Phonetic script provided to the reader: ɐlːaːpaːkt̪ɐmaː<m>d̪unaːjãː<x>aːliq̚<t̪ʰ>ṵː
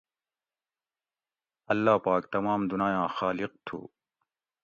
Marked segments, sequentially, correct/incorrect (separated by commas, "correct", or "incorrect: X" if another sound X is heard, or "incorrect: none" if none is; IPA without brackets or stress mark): correct, correct, correct